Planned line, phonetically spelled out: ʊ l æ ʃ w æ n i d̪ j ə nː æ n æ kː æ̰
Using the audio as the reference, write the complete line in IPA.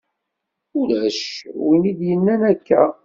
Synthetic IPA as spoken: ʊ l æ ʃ w i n i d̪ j ə nː æ n æ kː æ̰